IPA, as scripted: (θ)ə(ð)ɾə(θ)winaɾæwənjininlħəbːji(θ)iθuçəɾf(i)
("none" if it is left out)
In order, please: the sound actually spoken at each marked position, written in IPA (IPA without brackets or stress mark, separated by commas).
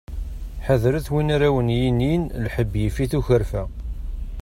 ħ, ð, θ, f, æ